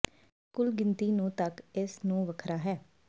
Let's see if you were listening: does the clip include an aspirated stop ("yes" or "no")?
yes